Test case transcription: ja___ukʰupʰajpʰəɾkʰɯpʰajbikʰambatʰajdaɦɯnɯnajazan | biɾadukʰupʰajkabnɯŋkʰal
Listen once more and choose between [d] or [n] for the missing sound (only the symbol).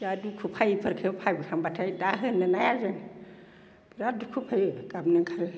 d